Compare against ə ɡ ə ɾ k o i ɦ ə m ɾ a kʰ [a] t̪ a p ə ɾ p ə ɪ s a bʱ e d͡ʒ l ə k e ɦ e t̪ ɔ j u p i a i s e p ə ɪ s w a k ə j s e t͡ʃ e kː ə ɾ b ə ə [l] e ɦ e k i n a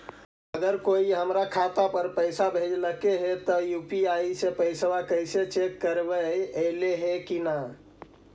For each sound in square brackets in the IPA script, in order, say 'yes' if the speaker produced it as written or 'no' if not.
yes, yes

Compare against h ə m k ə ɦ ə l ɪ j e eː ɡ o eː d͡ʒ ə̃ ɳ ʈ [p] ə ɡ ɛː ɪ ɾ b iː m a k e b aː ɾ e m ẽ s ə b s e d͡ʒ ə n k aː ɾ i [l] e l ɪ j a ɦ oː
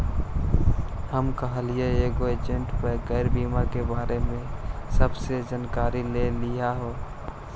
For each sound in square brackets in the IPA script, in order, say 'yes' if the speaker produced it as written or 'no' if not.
yes, yes

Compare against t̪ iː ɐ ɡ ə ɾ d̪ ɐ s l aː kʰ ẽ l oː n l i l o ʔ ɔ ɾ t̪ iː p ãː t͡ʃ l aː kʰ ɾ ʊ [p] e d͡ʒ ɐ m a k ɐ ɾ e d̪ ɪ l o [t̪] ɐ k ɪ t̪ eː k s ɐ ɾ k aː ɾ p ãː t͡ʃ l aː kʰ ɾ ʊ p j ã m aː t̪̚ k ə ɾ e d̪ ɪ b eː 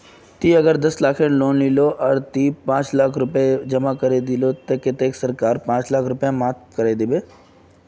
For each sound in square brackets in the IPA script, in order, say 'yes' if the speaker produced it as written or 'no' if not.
yes, yes

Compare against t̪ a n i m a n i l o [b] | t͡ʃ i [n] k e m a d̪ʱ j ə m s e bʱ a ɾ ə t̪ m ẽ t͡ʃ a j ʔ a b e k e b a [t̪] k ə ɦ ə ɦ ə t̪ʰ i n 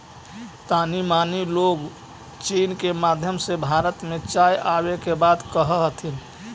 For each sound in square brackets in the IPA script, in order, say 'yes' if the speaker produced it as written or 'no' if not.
no, yes, no

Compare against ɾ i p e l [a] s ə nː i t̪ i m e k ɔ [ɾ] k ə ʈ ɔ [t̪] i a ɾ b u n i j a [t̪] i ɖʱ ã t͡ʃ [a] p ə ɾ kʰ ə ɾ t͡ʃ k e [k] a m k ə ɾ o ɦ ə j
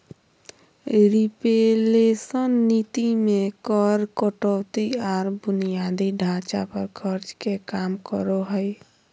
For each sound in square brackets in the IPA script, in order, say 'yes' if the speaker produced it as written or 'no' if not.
no, yes, yes, no, yes, yes

